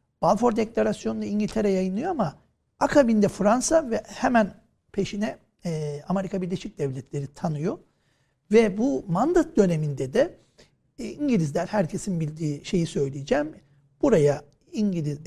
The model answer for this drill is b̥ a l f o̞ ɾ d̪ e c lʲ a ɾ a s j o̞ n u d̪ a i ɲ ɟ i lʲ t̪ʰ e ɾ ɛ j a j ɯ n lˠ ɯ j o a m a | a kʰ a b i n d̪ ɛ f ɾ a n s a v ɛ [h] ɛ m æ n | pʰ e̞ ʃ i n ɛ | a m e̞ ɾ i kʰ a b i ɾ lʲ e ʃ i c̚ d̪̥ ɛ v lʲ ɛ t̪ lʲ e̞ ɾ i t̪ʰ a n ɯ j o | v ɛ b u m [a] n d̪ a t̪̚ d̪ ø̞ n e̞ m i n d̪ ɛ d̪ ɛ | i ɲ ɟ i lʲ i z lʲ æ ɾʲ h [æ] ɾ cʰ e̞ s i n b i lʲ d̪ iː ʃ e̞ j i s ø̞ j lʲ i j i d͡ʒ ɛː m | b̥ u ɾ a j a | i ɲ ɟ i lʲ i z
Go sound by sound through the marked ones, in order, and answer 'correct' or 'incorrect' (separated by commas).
correct, correct, correct